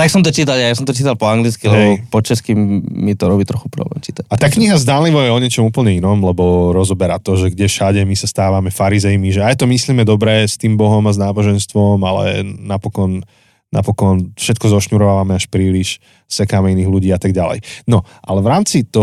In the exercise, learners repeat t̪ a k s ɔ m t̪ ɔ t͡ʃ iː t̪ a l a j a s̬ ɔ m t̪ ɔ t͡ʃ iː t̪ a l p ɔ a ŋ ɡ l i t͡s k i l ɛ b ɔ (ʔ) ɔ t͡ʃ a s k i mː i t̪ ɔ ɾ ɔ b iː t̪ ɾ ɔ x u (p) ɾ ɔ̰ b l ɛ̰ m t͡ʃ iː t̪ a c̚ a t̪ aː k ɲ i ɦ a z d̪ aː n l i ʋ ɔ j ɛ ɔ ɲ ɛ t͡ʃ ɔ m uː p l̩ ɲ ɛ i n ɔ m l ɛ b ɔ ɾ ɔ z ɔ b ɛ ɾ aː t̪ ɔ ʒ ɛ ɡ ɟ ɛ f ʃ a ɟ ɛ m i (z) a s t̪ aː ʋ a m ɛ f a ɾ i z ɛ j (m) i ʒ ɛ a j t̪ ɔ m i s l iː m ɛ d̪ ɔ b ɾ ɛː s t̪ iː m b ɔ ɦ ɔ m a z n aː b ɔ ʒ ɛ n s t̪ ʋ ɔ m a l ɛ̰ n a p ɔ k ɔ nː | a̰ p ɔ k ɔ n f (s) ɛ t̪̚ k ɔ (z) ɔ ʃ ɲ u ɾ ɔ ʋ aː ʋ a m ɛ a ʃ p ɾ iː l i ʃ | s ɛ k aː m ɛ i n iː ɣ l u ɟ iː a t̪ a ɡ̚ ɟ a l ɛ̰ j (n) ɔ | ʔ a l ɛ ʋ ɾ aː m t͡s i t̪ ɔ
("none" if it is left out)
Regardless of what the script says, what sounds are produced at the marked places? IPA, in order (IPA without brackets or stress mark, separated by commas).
p, p, s, m, ʃ, z, n